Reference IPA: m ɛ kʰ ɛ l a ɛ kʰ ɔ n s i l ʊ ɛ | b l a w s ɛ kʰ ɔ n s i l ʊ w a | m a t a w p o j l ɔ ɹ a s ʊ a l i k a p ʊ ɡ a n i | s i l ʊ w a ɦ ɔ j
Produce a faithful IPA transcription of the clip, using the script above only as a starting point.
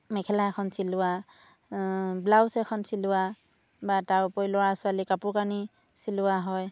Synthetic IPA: m ɛ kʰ ɛ l a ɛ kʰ ɔ n s i l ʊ a | b l a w s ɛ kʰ ɔ n s i l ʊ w a | b a t a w p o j l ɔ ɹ a s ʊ a l i k a p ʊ k a n i | s i l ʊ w a ɦ ɔ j